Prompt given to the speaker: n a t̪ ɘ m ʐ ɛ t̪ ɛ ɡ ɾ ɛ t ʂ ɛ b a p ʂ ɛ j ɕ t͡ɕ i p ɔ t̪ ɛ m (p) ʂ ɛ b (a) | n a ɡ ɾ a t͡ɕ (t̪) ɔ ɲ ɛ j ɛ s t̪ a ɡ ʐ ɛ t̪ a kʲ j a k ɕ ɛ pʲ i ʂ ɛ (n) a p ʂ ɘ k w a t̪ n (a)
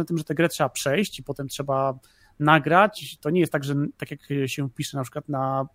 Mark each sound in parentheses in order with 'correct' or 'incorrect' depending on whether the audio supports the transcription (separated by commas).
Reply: incorrect, correct, correct, correct, correct